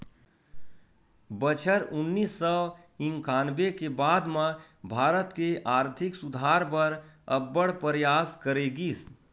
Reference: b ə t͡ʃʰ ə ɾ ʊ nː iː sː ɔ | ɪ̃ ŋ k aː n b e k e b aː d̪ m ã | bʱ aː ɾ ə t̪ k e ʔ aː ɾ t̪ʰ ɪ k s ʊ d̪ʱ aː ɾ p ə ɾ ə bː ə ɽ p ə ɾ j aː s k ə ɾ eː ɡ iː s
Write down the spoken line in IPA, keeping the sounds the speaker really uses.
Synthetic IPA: b ə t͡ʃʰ ə ɾ ʊ nː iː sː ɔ | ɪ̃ ŋ k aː n b e k e b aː d̪ m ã | bʱ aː ɾ ə t̪ k e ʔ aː ɾ t̪ʰ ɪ k s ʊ d̪ʱ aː ɾ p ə ɾ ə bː ə ɽ p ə ɾ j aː s k ə ɾ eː ɡ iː s